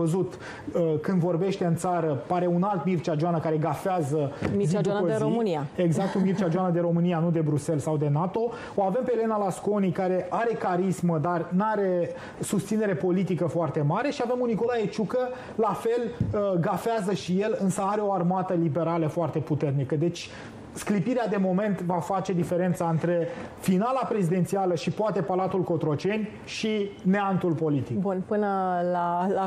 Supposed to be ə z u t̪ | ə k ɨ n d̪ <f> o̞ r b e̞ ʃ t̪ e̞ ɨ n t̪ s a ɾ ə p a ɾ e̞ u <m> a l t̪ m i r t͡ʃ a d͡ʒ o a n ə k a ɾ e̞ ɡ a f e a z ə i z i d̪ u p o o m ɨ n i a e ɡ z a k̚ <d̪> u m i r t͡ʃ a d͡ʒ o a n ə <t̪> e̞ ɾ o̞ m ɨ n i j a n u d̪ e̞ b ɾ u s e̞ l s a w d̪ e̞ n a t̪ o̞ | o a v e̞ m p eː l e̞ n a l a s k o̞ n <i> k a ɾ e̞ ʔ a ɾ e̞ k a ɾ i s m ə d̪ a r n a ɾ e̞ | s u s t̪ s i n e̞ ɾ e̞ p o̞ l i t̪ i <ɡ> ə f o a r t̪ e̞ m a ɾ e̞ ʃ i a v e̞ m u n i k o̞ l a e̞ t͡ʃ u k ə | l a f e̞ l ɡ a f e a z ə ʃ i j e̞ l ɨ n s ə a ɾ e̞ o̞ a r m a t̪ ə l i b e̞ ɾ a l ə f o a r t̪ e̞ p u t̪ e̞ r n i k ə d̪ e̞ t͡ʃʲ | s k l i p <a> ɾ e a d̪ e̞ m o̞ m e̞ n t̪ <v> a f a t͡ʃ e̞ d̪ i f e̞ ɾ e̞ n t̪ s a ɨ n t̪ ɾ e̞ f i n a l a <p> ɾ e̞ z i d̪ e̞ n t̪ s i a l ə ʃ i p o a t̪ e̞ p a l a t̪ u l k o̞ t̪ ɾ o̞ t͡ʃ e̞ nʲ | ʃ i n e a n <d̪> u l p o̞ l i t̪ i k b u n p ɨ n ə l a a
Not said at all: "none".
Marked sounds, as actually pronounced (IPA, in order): v, n, t̪, d̪, i, k, i, v, p, t̪

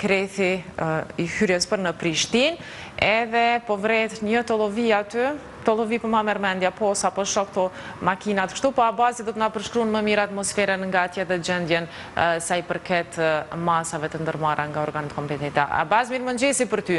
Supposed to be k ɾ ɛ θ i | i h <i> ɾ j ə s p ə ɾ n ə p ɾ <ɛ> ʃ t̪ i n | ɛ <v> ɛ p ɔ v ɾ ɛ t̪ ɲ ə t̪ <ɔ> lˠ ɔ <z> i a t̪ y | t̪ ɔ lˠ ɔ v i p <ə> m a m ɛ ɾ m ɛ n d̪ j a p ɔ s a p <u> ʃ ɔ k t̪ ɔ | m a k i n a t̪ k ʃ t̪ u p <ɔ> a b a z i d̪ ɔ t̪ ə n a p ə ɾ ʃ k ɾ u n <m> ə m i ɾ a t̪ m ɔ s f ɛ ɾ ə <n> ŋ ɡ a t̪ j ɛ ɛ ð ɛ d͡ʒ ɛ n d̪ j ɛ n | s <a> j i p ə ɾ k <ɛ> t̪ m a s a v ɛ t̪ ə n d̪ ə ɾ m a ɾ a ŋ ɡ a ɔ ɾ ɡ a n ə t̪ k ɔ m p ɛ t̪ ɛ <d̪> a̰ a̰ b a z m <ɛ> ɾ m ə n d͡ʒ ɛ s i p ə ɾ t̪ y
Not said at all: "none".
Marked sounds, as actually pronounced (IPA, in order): y, i, ð, ɔ, v, ə, ɔ, ɔ, m, n, a, ɛ, t̪, i

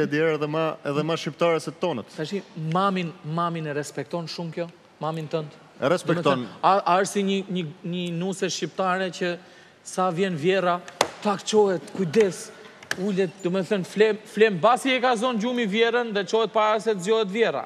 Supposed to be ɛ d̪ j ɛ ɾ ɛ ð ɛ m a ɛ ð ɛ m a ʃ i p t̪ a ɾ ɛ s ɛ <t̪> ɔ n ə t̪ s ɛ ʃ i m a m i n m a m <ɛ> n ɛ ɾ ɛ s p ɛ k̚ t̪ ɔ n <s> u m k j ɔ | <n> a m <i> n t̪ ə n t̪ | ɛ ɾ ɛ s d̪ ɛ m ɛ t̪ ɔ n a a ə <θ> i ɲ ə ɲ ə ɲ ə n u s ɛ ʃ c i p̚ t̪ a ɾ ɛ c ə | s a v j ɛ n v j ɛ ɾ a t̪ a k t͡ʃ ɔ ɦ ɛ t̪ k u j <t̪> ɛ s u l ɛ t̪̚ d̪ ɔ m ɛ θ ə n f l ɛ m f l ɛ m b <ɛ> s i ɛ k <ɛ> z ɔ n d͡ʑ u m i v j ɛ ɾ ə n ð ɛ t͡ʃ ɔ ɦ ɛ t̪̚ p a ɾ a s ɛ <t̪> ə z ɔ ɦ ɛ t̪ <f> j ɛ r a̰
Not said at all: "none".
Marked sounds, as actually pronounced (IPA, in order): t̪, i, ʃ, m, i, s, d̪, a, a, t̪, v

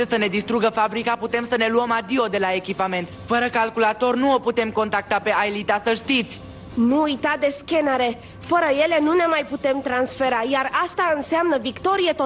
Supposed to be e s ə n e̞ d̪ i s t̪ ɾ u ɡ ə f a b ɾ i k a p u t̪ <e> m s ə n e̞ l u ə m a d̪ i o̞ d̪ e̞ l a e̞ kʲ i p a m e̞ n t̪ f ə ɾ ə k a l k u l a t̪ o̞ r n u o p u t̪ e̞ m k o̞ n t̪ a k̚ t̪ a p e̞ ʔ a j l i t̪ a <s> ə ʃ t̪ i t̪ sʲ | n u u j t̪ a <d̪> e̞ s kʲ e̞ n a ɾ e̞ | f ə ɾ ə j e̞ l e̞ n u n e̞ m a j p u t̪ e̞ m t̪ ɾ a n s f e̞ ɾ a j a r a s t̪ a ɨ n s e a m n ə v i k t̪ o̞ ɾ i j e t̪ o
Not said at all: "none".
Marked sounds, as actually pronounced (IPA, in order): e, s, d̪

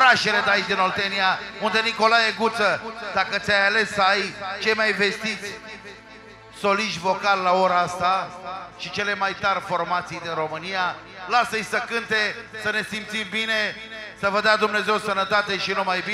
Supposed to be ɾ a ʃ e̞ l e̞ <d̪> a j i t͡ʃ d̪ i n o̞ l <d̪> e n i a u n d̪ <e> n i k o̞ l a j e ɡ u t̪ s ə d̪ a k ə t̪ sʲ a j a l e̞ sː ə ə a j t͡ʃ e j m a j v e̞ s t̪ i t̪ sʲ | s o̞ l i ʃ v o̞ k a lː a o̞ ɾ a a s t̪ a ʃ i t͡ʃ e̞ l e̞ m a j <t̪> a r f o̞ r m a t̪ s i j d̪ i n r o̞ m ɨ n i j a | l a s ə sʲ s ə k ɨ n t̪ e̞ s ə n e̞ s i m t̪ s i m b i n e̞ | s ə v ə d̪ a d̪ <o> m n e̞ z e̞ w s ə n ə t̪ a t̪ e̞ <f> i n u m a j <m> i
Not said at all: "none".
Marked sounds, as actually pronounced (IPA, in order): d̪, t̪, e, t̪, u, ʃ, b

